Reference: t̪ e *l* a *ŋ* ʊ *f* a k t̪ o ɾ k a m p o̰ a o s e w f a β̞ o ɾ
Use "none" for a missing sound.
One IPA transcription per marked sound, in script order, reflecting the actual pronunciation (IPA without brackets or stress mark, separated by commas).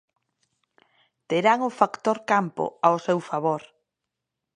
ɾ, ŋ, f